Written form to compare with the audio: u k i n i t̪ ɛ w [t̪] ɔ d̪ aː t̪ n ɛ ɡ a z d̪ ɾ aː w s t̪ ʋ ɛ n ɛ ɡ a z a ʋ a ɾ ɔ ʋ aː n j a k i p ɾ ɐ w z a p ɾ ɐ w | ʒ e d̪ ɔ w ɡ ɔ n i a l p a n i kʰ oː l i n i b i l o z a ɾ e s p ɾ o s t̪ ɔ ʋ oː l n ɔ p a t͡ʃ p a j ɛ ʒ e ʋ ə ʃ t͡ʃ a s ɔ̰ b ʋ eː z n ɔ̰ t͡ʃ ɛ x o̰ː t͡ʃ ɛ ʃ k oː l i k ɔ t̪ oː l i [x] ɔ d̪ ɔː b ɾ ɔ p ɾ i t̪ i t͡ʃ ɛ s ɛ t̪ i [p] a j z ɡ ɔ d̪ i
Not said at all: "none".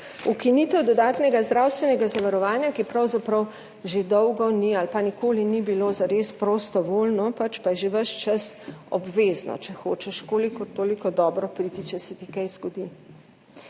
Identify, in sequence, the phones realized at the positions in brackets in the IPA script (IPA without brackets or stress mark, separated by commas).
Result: d̪, k, k